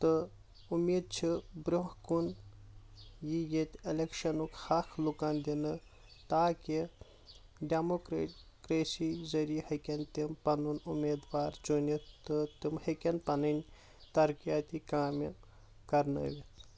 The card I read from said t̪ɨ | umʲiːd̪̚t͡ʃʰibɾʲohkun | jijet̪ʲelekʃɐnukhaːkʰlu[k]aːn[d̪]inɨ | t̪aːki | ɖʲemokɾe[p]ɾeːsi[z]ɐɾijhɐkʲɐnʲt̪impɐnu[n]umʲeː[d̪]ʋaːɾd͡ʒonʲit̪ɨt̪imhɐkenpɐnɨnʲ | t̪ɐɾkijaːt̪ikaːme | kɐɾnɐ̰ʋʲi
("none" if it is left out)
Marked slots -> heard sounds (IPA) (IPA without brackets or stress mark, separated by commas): k, d̪, k, z, n, d̪